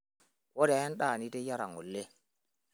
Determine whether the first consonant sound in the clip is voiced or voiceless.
voiced